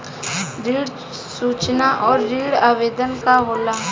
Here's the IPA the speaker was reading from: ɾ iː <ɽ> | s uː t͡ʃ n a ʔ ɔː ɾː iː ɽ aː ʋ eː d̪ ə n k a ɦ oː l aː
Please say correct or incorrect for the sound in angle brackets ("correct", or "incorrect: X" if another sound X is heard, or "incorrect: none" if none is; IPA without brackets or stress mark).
correct